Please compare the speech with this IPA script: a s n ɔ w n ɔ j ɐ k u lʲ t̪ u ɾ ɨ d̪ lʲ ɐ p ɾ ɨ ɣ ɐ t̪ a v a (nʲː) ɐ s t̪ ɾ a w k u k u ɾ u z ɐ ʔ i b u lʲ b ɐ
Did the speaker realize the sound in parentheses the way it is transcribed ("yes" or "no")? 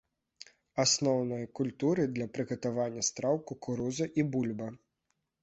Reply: yes